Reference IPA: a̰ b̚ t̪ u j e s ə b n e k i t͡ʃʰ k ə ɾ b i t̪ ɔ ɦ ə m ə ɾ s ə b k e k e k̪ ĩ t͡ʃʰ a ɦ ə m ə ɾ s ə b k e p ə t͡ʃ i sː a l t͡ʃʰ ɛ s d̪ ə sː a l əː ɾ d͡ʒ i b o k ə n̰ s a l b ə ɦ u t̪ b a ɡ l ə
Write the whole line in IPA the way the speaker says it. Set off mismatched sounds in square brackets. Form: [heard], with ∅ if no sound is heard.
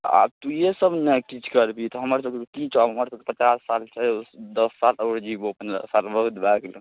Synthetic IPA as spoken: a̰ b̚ t̪ u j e s ə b n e k i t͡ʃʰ k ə ɾ b i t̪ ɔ ɦ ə m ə ɾ s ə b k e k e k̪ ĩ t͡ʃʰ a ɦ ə m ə ɾ s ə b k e p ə t͡ʃ [a] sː a l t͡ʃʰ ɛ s d̪ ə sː a l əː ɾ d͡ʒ i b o [p] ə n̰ s a l b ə ɦ u t̪ b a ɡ l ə